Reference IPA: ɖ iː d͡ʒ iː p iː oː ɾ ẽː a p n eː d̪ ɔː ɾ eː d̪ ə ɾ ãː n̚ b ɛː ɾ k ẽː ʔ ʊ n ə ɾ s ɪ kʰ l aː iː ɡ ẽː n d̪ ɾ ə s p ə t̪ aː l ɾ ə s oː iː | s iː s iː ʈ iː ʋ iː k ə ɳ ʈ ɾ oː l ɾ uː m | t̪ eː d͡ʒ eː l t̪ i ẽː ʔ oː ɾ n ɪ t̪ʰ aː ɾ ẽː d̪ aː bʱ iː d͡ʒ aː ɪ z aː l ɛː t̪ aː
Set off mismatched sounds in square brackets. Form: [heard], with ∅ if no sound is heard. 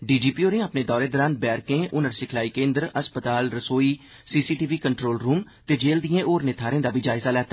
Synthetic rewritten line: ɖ iː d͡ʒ iː p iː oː ɾ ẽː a p n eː d̪ ɔː ɾ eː d̪ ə ɾ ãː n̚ b ɛː ɾ k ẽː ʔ ʊ n ə ɾ s ɪ kʰ l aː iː [k] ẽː n d̪ ɾ ə s p ə t̪ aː l ɾ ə s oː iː | s iː s iː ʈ iː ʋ iː k ə ɳ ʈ ɾ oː l ɾ uː m | t̪ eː d͡ʒ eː l [d̪] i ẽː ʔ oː ɾ n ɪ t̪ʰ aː ɾ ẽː d̪ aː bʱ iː d͡ʒ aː ɪ z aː l ɛː t̪ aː